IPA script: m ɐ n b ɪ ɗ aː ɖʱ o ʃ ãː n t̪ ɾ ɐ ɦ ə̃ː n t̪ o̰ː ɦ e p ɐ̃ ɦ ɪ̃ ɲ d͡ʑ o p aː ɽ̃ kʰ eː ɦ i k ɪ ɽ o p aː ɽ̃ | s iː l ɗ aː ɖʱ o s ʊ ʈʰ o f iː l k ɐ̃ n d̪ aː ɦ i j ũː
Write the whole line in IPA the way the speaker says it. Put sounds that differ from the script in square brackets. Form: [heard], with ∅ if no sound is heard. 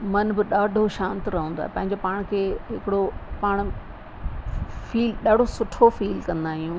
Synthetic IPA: m ɐ n b ɪ ɗ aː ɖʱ o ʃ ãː n t̪ ɾ ɐ ɦ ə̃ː n [d̪] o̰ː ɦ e p ɐ̃ ɦ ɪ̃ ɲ d͡ʑ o p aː ɽ̃ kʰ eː ɦ [ɪ] k ɪ ɽ o p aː ɽ̃ | [f] iː l ɗ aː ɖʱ o s ʊ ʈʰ o f iː l k ɐ̃ n d̪ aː ɦ i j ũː